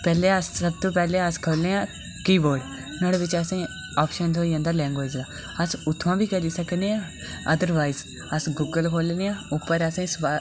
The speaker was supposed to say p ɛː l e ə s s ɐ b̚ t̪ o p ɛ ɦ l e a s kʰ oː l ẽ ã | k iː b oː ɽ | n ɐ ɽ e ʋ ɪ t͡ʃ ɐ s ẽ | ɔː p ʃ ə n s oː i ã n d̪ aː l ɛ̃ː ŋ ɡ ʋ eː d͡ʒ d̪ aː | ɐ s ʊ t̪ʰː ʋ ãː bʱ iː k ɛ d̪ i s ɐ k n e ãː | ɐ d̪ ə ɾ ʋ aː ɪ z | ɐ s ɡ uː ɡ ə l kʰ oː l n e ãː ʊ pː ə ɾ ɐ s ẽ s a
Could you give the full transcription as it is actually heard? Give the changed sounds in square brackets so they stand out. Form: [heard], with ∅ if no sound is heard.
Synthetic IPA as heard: p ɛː l e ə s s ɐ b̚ t̪ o p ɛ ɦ l e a s kʰ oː l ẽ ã | k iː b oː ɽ | n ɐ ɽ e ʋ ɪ t͡ʃ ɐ s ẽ | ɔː p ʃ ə n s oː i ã n d̪ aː l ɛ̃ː ŋ ɡ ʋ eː d͡ʒ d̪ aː | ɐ s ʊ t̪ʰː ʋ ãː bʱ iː k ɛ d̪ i s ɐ k n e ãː | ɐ d̪ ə ɾ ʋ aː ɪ z | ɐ s ɡ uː ɡ ə l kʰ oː l n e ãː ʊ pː ə ɾ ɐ s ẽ s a